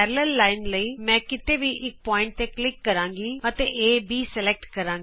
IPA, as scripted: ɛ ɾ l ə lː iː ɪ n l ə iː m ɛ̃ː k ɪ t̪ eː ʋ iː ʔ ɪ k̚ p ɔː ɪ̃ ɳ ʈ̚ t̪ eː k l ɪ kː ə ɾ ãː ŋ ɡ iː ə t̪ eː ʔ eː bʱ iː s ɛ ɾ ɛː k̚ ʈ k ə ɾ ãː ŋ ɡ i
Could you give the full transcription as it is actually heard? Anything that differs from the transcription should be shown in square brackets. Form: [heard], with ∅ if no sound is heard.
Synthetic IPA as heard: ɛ ɾ l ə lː [aː] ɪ n l ə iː m ɛ̃ː k ɪ t̪ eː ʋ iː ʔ ɪ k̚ p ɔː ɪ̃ ɳ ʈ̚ t̪ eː k l ɪ kː ə ɾ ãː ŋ ɡ iː ə t̪ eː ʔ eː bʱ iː s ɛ [l] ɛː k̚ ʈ k ə ɾ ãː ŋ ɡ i